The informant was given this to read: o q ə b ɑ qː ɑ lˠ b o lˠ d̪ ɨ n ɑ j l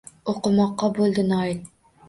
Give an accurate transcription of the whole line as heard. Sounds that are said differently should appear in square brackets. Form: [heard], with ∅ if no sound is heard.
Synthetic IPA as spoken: o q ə [m] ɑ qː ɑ [∅] b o lˠ d̪ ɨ n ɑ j l